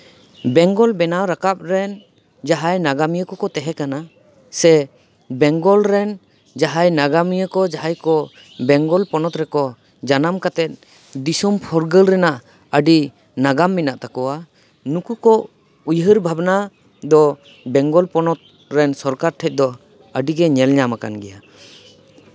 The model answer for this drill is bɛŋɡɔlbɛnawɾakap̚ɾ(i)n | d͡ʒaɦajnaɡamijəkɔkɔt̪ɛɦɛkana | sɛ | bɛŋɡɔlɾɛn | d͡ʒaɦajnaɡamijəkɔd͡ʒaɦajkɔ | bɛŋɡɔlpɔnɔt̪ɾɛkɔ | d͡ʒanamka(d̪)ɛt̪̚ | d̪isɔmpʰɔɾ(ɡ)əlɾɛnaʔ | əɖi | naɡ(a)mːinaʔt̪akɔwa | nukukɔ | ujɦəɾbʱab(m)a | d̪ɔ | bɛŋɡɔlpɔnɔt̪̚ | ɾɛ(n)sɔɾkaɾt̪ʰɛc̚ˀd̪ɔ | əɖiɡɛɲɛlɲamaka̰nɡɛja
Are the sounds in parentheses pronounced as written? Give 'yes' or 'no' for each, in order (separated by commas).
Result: no, no, yes, yes, no, yes